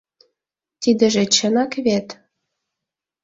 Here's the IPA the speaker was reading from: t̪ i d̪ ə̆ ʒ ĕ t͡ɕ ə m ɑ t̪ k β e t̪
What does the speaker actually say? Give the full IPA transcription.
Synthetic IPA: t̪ i d̪ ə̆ ʒ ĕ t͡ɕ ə n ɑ k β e t̪